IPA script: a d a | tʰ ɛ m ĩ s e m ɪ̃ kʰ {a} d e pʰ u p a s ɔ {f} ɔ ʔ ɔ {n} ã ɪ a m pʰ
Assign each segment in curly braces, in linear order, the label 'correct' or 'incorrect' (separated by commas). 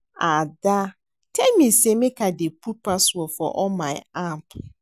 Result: correct, correct, incorrect